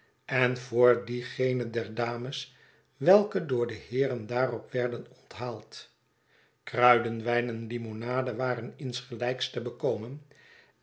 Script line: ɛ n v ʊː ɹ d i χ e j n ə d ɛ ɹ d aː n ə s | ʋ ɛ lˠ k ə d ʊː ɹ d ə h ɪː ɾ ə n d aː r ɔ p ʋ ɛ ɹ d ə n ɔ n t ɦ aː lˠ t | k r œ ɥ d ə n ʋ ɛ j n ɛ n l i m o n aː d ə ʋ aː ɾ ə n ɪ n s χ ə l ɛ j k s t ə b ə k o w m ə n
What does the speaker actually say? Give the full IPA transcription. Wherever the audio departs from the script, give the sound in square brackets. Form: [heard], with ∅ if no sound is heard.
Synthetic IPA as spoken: ɛ n v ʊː ɹ d i χ e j n ə d ɛ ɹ d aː [m] ə s | ʋ ɛ lˠ k ə d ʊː ɹ d ə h ɪː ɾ ə n d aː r ɔ p ʋ ɛ ɹ d ə n ɔ n t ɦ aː lˠ t | k r œ ɥ d ə n ʋ ɛ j n ɛ n l i m o n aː d ə ʋ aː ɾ ə n ɪ n s χ ə l ɛ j k s t ə b ə k o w m ə n